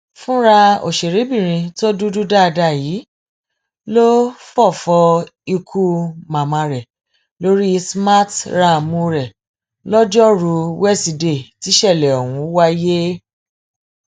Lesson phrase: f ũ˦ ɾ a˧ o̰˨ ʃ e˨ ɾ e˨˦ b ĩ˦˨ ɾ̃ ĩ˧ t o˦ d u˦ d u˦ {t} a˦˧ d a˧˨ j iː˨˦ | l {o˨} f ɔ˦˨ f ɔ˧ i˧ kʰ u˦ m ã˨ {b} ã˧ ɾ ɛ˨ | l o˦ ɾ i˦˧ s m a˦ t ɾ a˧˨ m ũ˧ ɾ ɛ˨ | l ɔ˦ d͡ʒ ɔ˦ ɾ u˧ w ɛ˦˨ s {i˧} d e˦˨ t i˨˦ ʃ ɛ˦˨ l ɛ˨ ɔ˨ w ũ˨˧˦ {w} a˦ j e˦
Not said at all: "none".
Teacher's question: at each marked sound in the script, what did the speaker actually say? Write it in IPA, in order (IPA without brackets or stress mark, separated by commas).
d, o˦, m, i˧, w